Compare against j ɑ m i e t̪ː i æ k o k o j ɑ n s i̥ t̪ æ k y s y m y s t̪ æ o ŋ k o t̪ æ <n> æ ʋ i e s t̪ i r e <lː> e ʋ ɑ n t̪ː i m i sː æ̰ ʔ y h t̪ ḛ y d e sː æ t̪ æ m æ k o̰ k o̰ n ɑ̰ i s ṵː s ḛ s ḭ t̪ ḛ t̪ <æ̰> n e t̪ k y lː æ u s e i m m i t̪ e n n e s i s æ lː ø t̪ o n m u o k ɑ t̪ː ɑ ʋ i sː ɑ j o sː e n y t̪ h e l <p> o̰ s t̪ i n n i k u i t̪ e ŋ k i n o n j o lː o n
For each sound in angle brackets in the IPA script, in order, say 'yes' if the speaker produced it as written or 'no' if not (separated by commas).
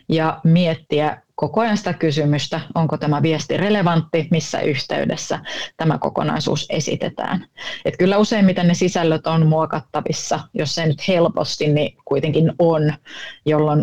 no, no, no, yes